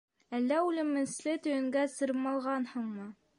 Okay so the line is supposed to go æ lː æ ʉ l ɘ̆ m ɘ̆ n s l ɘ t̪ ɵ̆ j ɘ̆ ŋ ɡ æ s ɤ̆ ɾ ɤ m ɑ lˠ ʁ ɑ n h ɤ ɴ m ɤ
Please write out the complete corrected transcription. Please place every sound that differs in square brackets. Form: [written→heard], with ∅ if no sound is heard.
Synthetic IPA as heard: æ lː æ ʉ l ɘ̆ m ɘ̆ n s l ɘ t̪ ɵ̆ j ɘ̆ ŋ ɡ æ s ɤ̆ ɾ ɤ m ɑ lˠ ʁ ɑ n h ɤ ɴ m ɤ